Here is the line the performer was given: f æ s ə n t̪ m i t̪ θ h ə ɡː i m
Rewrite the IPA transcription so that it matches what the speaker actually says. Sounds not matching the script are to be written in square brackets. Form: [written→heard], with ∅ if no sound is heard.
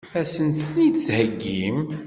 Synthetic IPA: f æ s ə n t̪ [m→n] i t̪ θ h ə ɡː i m